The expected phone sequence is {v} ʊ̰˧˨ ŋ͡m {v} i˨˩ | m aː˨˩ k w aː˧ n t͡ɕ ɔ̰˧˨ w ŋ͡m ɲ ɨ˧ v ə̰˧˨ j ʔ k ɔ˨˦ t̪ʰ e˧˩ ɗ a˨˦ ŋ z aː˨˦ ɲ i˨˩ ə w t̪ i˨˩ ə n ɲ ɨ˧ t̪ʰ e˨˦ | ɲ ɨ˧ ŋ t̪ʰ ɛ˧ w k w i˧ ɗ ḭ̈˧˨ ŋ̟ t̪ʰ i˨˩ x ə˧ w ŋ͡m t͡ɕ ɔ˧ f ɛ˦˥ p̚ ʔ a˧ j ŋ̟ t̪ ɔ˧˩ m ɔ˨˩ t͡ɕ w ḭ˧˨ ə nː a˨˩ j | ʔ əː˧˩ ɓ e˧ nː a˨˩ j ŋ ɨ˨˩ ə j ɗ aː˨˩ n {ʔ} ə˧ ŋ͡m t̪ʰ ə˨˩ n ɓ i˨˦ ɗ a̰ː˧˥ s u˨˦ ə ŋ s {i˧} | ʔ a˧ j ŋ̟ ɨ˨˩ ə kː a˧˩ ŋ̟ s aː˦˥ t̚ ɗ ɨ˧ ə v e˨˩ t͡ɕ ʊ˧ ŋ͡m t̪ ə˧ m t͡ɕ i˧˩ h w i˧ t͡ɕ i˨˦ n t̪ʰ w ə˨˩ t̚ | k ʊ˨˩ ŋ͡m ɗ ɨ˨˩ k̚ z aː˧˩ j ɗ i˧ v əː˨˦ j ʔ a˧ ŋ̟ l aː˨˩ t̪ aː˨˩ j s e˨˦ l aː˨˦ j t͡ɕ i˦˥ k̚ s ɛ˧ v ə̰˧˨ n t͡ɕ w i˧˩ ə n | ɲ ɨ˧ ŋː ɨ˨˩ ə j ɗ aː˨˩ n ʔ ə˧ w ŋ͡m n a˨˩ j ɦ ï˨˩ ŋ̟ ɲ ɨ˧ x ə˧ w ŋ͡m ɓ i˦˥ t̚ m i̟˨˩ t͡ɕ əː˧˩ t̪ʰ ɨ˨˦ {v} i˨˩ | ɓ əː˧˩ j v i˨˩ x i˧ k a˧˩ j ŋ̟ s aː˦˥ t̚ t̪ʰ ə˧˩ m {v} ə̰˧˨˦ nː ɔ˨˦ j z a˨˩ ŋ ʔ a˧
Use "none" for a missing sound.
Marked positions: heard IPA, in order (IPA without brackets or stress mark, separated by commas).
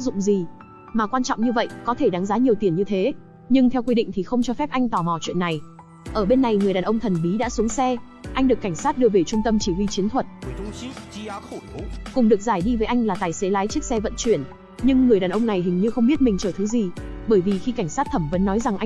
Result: z, z, ʔ, ɛ˧, z, v